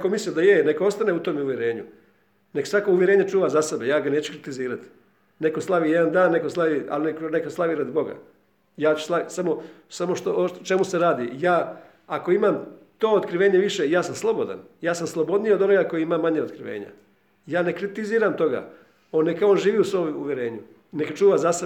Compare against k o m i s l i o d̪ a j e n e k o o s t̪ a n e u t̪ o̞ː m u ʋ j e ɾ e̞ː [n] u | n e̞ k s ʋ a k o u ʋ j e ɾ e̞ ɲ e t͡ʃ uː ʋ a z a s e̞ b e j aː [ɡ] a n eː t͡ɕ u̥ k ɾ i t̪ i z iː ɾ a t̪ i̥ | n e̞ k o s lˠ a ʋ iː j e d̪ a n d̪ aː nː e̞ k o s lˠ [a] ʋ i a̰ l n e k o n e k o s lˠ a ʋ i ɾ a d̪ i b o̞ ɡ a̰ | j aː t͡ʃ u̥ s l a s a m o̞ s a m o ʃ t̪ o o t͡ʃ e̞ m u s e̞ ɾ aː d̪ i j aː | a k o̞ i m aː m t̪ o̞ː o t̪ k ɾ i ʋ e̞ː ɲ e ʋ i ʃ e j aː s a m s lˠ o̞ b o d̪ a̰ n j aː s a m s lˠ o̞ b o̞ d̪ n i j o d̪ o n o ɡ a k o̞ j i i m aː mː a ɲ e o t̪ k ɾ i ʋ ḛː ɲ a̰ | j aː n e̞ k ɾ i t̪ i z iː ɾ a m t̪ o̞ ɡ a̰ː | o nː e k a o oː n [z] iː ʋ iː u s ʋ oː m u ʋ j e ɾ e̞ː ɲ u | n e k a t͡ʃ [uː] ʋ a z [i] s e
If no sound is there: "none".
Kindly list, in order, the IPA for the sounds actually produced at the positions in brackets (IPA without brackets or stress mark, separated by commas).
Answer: ɲ, ɡ, a, ʒ, uː, a